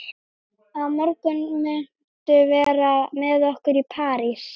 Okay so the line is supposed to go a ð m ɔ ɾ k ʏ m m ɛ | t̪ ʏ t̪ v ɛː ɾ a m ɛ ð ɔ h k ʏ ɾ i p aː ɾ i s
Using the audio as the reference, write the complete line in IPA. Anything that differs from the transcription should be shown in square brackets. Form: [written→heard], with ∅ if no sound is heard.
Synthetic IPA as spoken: a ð m ɔ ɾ k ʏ [m→n] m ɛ | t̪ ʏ [t̪→∅] v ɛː ɾ a m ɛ ð ɔ h k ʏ ɾ i [p→pʰ] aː ɾ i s